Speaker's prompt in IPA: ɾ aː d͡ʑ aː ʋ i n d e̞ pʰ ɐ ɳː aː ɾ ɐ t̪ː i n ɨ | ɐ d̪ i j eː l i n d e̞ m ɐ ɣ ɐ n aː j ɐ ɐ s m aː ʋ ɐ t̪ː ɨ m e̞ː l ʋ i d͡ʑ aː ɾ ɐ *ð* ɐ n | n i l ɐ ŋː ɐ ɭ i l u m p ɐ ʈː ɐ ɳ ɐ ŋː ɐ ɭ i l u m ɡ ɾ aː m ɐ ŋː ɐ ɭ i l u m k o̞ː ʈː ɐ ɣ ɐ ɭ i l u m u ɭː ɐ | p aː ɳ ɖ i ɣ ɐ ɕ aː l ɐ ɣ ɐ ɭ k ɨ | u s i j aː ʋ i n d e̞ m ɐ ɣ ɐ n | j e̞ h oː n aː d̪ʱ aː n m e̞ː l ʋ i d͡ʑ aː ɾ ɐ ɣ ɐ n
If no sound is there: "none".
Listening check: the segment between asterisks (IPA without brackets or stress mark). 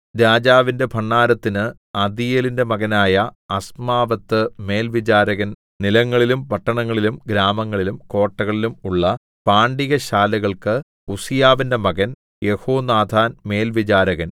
ɣ